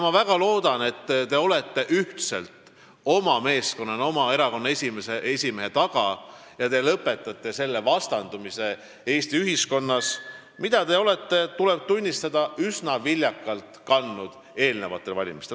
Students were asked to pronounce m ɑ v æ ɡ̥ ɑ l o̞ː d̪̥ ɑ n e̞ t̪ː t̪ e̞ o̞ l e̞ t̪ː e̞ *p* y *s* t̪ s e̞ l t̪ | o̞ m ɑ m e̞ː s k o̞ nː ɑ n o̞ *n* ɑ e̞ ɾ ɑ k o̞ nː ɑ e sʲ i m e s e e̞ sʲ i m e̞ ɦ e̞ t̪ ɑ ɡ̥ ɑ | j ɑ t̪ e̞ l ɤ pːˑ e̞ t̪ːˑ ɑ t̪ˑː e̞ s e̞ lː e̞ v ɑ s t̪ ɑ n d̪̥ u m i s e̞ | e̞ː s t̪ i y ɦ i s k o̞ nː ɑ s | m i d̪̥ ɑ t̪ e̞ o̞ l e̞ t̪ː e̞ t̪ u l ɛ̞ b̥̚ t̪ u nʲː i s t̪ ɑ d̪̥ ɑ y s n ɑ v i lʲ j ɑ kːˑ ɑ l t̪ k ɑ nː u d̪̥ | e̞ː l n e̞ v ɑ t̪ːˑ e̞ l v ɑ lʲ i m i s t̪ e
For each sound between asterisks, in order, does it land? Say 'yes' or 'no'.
no, no, no

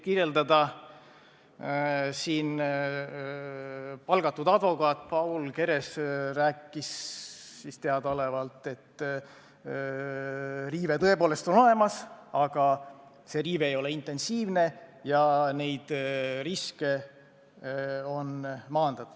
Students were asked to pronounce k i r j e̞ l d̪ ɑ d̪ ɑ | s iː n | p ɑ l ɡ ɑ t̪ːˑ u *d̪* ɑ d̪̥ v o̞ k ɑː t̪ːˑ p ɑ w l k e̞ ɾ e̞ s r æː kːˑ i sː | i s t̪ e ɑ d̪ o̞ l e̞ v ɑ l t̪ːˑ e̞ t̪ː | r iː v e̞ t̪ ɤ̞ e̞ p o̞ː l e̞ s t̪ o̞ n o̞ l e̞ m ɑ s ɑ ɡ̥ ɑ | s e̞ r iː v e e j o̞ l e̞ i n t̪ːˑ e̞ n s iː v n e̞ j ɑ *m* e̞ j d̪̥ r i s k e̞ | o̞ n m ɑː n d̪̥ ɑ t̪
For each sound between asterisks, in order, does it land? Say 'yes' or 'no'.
yes, no

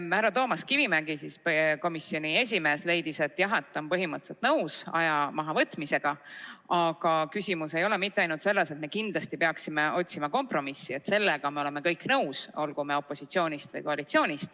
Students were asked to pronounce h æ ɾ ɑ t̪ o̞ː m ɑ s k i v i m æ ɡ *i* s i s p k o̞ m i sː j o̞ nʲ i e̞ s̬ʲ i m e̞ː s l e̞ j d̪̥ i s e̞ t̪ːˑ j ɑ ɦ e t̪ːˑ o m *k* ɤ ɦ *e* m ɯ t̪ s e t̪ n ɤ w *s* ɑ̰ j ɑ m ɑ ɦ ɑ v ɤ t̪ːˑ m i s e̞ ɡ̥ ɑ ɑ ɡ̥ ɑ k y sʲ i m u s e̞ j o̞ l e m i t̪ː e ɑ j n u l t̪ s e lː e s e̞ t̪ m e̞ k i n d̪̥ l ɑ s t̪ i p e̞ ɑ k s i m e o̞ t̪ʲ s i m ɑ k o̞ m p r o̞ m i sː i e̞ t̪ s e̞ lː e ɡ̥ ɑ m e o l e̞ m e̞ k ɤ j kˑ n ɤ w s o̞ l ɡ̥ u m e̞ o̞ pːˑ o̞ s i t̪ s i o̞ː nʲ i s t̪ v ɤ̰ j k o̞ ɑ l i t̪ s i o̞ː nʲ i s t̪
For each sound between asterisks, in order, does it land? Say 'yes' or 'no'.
yes, no, no, yes

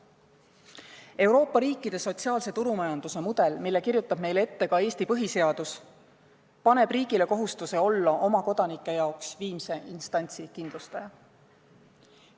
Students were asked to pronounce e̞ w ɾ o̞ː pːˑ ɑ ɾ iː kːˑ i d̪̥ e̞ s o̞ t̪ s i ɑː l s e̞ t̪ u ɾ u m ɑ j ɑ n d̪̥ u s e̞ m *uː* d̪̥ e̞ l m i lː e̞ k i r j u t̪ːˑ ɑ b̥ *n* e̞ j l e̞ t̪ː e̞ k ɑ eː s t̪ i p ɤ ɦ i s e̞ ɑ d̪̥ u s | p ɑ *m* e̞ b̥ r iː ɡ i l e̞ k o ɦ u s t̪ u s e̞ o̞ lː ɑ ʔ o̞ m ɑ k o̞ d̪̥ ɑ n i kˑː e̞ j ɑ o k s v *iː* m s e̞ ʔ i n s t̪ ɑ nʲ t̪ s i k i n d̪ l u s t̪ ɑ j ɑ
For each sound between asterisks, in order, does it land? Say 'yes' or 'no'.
no, no, no, yes

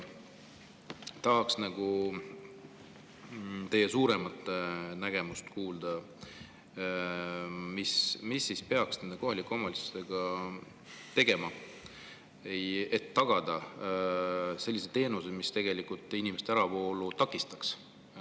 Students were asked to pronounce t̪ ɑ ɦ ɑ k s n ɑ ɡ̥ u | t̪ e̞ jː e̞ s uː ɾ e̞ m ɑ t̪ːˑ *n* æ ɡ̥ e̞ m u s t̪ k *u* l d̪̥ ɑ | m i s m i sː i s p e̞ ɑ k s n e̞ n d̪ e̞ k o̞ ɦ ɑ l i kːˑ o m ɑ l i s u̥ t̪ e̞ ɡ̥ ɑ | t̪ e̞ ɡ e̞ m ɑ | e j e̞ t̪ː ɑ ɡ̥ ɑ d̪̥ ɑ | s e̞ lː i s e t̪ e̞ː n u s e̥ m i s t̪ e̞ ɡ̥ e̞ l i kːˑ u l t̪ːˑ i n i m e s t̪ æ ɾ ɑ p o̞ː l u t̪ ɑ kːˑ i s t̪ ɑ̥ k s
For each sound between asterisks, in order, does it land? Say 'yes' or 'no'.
yes, no

